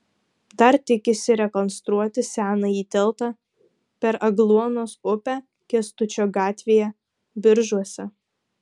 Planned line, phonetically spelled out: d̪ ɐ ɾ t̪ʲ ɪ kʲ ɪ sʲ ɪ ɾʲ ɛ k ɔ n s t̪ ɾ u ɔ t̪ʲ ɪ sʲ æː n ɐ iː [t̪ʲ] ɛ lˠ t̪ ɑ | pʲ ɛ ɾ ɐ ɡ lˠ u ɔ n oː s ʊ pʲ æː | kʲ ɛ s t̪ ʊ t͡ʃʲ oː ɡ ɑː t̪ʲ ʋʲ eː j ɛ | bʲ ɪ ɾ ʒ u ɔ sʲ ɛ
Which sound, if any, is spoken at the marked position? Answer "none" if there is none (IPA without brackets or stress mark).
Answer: t̪ʲ